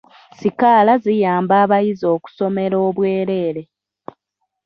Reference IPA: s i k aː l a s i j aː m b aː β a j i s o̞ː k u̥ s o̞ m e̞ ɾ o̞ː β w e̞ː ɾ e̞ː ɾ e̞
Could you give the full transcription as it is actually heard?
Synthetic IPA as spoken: s i k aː l a z i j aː m b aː β a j i z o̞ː k u̥ s o̞ m e̞ ɾ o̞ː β w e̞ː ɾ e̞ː ɾ e̞

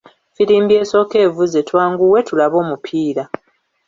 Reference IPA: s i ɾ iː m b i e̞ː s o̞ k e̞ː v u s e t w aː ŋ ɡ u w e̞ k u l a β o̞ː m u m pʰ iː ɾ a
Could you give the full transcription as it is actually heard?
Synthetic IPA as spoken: f i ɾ iː m b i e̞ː s o̞ k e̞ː v u z e t w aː ŋ ɡ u w e̞ t u l a β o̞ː m u pʰ iː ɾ a

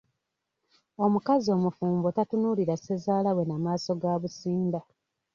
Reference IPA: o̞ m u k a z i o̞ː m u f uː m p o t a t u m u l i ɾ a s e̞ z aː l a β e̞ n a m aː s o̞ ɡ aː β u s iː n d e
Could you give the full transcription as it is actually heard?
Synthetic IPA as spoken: o̞ m u k a z i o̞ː m u f uː m b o t a t u n u l i ɾ a s e̞ z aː l a w e̞ n a m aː s o̞ ɡ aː β u s iː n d a

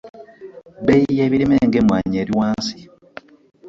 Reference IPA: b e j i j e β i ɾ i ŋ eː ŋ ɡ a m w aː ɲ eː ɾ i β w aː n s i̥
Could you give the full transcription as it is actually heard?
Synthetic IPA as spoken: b e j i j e β i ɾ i m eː ŋ ɡ e m w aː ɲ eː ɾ i w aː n s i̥

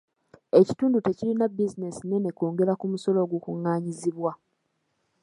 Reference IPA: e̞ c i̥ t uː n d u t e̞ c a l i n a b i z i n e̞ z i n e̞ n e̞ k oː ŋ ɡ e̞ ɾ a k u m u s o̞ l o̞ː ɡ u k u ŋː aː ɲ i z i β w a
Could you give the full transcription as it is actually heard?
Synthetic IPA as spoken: e̞ c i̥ t uː n d u t e̞ c i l i n a b i z i n e̞ s i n e̞ n e̞ k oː ŋ ɡ e̞ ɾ a k u m u s o̞ l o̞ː ɡ u k u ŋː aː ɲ i z i β w a

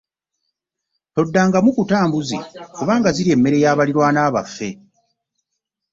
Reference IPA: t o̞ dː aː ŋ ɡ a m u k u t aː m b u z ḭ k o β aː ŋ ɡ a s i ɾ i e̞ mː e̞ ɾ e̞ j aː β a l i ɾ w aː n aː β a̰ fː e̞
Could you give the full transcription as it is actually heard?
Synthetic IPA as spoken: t o̞ dː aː ŋ ɡ a m u k u t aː m b u z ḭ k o β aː ŋ ɡ a z i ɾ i e̞ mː e̞ ɾ e̞ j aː β a l i ɾ w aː n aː β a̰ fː e̞

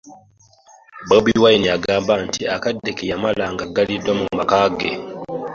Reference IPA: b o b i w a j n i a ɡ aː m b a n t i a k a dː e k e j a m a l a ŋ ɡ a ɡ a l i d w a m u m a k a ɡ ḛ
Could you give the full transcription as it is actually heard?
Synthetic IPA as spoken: b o b i w a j n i a ɡ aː m b a n t i a k a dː e k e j a m a l a ŋ ɡ a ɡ a l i d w a m u m a k a ɡ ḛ

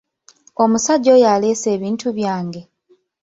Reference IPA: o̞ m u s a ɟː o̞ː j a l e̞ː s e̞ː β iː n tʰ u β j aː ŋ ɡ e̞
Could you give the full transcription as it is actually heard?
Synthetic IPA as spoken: o̞ m u s a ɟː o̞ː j a l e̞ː s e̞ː β iː n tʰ u β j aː ŋ ɡ e̞

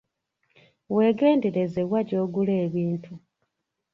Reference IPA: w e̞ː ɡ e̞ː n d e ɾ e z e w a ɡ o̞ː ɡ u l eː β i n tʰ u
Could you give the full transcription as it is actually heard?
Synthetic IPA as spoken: w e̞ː ɡ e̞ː n d e ɾ e z e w a ɟ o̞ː ɡ u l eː β iː n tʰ u

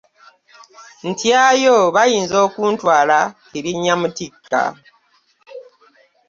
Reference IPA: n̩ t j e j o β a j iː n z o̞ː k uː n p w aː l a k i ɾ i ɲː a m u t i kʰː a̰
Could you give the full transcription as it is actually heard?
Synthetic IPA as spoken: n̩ t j a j o β a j iː n z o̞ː k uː n t w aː l a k i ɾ i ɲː a m u t i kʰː a̰

